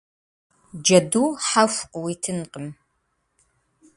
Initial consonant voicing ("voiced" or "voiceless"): voiced